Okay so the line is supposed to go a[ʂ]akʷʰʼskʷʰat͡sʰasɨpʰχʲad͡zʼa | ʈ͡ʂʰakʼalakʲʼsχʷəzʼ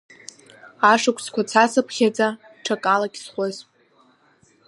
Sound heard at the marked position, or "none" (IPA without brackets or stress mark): ʂ